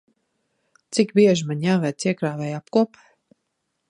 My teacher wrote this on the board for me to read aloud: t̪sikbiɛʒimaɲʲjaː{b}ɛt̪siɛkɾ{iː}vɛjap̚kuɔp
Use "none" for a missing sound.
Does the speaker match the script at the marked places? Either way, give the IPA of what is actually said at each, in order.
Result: v, aː

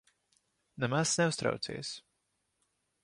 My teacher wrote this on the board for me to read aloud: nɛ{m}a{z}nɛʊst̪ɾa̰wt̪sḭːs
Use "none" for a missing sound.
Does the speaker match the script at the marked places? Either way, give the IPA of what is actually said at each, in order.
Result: m, s

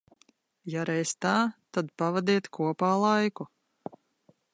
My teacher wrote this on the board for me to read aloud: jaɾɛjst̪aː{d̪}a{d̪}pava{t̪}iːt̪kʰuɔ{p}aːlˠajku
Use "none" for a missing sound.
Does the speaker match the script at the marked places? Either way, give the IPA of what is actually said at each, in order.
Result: t̪, d̪, d̪, p

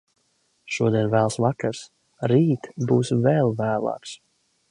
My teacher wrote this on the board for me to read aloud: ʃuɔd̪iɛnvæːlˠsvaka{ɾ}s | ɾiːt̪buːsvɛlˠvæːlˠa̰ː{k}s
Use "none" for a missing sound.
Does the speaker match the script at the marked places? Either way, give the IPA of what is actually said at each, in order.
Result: ɾ, k

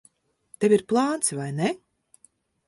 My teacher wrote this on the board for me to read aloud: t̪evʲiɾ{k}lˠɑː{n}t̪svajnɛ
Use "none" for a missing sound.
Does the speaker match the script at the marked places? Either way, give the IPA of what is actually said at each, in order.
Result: p, n

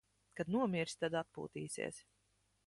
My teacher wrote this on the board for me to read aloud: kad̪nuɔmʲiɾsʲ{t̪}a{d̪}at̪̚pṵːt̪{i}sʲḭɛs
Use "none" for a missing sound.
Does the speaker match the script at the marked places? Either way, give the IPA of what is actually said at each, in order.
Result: t̪, d̪, iː

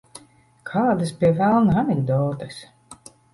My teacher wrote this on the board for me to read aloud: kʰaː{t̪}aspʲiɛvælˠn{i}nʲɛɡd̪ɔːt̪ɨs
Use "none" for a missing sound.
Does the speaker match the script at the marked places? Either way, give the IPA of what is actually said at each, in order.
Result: d̪, a

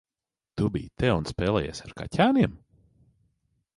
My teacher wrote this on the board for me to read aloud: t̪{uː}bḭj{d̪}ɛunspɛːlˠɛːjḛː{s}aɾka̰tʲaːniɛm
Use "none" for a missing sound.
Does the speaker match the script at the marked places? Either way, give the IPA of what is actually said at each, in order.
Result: u, t̪, s

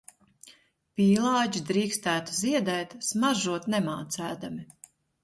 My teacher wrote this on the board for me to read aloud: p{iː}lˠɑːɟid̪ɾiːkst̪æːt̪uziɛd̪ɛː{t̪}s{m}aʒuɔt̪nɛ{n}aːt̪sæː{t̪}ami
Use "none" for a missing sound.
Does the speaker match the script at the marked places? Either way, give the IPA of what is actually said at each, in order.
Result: iː, t̪, m, m, d̪

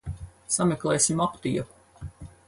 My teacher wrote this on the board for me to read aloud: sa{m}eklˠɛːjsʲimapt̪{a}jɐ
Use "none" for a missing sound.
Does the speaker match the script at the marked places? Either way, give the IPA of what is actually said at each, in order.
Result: m, i

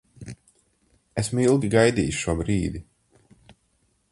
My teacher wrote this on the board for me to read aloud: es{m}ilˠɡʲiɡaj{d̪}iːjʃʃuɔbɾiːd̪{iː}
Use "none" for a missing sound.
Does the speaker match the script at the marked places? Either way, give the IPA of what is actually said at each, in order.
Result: m, d̪, i

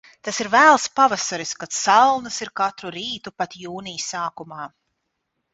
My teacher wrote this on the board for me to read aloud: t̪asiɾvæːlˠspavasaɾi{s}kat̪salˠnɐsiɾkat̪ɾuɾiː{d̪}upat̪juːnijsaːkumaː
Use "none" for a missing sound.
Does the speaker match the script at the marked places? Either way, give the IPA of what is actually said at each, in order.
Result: s, t̪

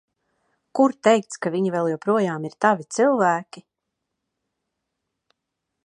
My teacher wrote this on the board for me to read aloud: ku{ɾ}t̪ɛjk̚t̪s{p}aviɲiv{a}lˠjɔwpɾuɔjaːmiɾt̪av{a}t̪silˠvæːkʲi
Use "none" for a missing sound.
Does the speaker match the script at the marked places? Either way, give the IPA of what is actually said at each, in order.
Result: ɾ, k, ɛ, i

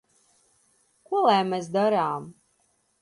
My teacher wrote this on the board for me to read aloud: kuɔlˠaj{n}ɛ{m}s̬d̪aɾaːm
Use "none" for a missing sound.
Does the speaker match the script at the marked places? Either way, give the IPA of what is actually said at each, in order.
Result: m, none

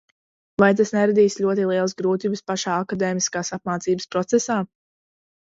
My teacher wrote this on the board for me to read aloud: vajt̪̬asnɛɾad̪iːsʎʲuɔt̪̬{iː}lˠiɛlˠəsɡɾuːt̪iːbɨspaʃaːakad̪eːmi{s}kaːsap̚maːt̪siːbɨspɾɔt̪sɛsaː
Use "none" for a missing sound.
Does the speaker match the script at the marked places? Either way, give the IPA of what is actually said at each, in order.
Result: i, s

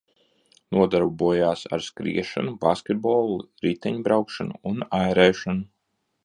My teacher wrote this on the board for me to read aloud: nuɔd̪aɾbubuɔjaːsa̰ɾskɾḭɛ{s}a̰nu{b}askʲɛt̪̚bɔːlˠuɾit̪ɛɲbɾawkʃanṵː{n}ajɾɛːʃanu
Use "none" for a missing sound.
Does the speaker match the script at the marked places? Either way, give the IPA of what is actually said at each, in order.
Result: ʃ, b, n

